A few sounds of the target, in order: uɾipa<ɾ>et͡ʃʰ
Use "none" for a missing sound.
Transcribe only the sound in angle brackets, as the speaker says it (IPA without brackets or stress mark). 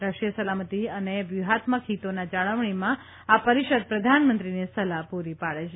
ɭ